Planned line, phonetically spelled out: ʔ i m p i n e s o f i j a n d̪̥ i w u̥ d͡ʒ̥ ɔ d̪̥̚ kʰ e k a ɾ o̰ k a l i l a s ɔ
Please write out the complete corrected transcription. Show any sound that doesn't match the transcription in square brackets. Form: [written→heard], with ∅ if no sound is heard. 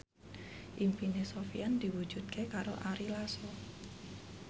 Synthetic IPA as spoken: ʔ i m p i n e s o f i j a n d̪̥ i w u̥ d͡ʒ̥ [ɔ→u] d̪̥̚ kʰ e k a ɾ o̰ [k→ʔ] a [l→ɾ] i l a s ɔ